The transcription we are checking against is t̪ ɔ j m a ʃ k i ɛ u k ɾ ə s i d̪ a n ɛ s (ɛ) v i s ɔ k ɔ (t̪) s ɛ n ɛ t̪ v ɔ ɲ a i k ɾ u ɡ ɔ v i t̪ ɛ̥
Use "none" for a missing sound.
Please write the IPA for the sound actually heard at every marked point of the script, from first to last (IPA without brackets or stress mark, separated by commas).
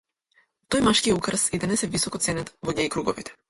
ɛ, t̪